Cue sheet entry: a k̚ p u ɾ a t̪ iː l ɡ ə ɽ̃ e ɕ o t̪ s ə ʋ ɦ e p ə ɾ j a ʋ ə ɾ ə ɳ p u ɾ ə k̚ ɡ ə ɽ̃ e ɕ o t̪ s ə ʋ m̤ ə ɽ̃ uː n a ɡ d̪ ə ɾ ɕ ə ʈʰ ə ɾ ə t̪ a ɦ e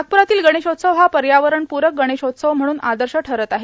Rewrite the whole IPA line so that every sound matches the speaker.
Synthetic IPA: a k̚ p u ɾ a t̪ iː l ɡ ə ɽ̃ e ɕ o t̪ s ə ʋ ɦ a p ə ɾ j a ʋ ə ɾ ə ɳ p u ɾ ə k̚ ɡ ə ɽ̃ e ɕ o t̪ s ə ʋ m̤ ə ɽ̃ uː n a d̪ ə ɾ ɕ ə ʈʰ ə ɾ ə t̪ a ɦ e

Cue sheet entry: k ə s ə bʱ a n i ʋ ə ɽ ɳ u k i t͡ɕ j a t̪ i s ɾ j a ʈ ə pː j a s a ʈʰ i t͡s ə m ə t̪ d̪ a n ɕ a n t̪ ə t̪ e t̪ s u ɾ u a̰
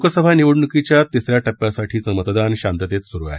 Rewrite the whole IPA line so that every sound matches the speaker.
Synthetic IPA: k ə s ə bʱ a n i ʋ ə ɽ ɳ u k i t͡ɕ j a t̪ i s ɾ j a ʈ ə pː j a s a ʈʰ iː t͡s ə m ə t̪ d̪ a n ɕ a n t̪ ə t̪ e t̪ s u ɾ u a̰

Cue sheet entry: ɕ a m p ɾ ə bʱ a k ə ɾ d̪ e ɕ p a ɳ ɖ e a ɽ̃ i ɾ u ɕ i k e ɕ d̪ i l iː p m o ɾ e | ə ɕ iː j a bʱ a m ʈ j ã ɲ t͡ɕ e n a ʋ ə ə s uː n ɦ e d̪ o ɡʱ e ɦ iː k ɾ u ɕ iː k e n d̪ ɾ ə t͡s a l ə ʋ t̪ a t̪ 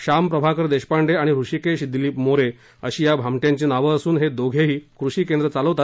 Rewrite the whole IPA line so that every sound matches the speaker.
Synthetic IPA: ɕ a m p ɾ ə bʱ a k ə ɾ d̪ e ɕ p a ɳ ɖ e a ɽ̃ i ɾ u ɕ i k e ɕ d̪ i l iː p m o ɾ e | ə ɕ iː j a bʱ a m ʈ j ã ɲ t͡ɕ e n a ʋ ə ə s uː n ɦ e d̪ o ɡʱ e ɦ iː k ɾ u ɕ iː k e n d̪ ɾ ə t͡s a l ə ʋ t̪ a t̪

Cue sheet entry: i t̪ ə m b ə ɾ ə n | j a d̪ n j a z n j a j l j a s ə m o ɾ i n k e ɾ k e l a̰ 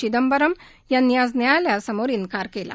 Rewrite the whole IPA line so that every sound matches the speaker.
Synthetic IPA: i d̪ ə m b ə ɾ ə m | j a n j a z n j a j l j a s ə m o ɾ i n k a ɾ k e l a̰

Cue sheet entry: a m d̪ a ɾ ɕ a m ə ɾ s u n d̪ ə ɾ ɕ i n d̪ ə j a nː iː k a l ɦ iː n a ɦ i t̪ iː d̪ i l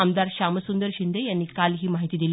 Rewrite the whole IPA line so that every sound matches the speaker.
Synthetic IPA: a m d̪ a ɾ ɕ a m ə s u n d̪ ə ɾ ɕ i n d̪ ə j a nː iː k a l ɦ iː m a ɦ i t̪ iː d̪ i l

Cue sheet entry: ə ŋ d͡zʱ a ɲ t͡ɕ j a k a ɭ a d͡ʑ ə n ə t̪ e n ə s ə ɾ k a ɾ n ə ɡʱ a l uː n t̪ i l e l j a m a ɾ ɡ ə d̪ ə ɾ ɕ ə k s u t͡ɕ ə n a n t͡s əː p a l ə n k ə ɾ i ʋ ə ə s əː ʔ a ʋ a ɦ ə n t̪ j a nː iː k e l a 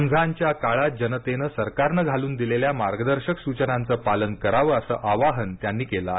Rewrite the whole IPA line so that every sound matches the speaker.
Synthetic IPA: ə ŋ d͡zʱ a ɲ t͡ɕ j a k a ɭ a d͡ʑ ə n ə t̪ e n ə s ə ɾ k a ɾ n ə ɡʱ a l uː n d̪ i l e l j a m a ɾ ɡ ə d̪ ə ɾ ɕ ə k s u t͡ɕ ə n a n t͡s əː p a l ə n k ə ɾ a ʋ ə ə s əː ʔ a ʋ a ɦ ə n t̪ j a nː iː k e l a

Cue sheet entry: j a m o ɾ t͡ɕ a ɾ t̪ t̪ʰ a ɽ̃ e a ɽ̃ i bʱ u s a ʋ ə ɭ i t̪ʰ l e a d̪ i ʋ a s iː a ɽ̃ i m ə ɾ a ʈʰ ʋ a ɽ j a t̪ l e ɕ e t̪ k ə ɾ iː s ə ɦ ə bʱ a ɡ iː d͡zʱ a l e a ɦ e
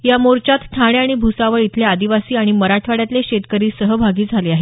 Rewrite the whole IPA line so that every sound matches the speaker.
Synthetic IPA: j a m o ɾ t͡ɕ a t̪ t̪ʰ a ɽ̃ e a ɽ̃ i bʱ u s a ʋ ə ɭ i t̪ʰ l e a d̪ i ʋ a s iː a ɽ̃ i m ə ɾ a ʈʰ ʋ a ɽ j a t̪ l e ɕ e t̪ k ə ɾ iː s ə ɦ ə bʱ a ɡ iː d͡zʱ a l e a ɦ e

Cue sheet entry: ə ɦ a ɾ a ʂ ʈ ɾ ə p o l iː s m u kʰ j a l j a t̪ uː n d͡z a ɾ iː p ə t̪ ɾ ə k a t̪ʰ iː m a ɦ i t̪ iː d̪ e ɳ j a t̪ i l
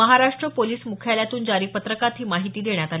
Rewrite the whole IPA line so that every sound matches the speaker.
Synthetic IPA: ə ɦ a ɾ a ʂ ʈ ɾ ə p o l iː s m u kʰ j a l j a t̪ uː n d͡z a ɾ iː p ə t̪ ɾ ə k a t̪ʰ iː m a ɦ i t̪ iː d̪ e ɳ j a t̪ a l

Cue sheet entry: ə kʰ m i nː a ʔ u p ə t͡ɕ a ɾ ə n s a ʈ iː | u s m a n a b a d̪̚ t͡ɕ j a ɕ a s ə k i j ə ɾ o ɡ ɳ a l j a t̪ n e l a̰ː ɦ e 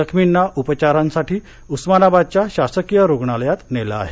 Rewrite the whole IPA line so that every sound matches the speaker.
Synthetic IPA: ə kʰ m i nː a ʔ u p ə t͡ɕ a ɾ a n s a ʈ iː | u s m a n a b a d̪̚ t͡ɕ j a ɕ a s ə k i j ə ɾ o ɡ ɳ a l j a t̪ n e l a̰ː ɦ e

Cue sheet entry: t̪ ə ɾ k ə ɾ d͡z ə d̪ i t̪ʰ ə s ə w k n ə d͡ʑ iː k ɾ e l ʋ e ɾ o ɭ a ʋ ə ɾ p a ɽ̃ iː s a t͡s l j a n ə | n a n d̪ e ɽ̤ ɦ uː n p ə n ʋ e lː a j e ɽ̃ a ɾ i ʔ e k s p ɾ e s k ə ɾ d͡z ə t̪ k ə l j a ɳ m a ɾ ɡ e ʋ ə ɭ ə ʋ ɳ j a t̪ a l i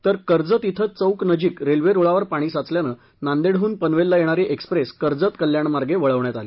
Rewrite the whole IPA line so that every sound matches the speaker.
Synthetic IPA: t̪ ə ɾ k ə ɾ d͡z ə t̪ i t̪ʰ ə t͡s ə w k n ə d͡ʑ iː k ɾ e l ʋ e ɾ o ɭ a ʋ ə ɾ p a ɽ̃ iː s a t͡s l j a n ə | n a n d̪ e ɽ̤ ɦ uː n p ə n ʋ e lː a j e ɽ̃ a ɾ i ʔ e k s p ɾ e s k ə ɾ d͡z ə t̪ k ə l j a ɳ m a ɾ ɡ e ʋ ə ɭ ə ʋ ɳ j a t̪ a l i

